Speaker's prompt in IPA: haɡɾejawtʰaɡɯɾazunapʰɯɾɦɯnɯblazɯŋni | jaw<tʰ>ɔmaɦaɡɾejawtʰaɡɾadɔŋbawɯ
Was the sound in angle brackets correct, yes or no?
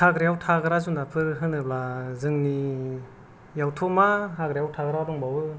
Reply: yes